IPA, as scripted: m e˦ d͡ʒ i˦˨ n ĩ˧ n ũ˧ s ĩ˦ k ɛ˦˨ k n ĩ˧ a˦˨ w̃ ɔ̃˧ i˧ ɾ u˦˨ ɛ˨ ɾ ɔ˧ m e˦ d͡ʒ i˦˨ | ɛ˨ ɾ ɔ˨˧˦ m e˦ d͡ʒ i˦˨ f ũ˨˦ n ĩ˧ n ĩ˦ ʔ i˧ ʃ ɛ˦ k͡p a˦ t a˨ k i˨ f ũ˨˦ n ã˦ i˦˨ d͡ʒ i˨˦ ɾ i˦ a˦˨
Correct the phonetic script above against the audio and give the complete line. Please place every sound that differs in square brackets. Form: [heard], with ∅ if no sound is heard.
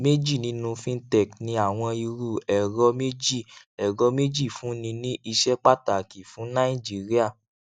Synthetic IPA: m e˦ d͡ʒ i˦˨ n ĩ˧ n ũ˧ [f] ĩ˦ [t] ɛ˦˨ k n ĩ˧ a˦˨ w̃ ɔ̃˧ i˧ ɾ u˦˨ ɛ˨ ɾ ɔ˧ m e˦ d͡ʒ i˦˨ | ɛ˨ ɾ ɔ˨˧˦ m e˦ d͡ʒ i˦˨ f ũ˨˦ n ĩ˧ n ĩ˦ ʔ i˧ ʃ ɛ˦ k͡p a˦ t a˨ k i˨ f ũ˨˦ n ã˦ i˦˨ d͡ʒ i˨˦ ɾ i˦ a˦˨